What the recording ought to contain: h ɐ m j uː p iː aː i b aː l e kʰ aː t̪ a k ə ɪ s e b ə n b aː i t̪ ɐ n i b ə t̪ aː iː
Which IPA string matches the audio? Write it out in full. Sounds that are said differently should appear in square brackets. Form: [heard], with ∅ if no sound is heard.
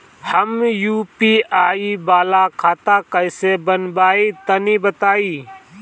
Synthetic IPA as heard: h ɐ m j uː p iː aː i b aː l [a] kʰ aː t̪ a k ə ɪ s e b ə n b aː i t̪ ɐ n i b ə t̪ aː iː